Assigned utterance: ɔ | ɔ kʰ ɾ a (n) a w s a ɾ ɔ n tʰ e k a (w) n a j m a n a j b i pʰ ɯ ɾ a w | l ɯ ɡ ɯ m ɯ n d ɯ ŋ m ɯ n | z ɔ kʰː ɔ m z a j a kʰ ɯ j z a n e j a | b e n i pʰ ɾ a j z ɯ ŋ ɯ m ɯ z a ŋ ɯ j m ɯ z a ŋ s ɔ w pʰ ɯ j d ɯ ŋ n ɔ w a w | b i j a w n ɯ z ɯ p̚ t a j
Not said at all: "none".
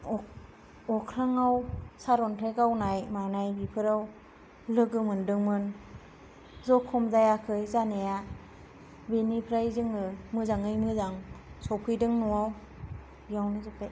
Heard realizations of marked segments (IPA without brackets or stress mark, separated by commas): ŋ, w